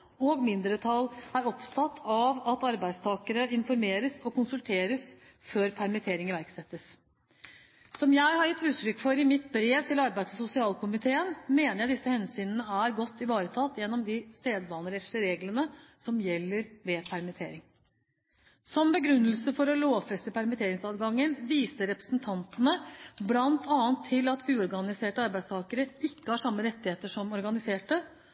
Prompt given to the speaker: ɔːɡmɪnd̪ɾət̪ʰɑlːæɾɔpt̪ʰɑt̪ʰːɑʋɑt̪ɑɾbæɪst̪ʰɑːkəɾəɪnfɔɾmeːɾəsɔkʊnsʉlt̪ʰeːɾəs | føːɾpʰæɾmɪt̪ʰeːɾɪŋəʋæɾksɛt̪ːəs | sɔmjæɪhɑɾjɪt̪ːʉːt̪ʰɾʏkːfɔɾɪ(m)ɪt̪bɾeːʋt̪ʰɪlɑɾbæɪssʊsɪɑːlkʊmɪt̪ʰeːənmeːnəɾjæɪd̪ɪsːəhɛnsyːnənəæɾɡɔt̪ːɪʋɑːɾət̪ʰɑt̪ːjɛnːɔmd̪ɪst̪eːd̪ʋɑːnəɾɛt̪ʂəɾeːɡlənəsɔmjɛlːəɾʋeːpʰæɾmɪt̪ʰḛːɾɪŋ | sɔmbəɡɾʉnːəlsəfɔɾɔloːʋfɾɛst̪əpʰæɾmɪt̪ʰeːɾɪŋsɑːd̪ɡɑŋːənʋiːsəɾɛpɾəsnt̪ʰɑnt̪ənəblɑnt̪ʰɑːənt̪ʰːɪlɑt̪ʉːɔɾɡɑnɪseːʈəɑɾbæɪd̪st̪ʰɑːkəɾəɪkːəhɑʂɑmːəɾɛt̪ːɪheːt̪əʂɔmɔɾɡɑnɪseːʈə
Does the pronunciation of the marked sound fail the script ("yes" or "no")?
no